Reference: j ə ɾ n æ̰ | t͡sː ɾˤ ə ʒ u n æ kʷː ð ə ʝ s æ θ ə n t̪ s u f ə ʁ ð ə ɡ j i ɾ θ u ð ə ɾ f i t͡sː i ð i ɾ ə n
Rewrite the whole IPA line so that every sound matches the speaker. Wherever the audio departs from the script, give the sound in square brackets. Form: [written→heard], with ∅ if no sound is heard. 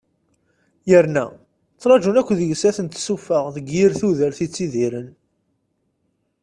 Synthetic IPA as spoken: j ə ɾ n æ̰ | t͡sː ɾˤ [ə→ɑ] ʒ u n æ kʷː ð ə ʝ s æ θ ə n t̪ s u f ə ʁ ð ə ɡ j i ɾ θ u ð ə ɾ [f→θ] i t͡sː i ð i ɾ ə n